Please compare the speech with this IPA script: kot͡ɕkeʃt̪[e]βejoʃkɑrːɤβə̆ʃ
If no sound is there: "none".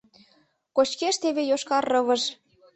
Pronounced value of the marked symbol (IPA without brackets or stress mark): e